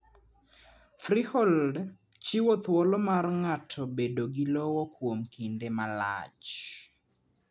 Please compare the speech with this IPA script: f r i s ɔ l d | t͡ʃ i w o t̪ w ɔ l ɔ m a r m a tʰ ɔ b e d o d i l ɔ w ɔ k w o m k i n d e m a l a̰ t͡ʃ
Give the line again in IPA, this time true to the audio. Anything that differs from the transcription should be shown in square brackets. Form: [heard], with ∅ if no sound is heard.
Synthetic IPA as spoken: f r i [h] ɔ l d | t͡ʃ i w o t̪ w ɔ l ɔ m a r [ŋ] a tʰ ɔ b e d o [ɡ] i l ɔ w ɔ k w o m k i n d e m a l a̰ t͡ʃ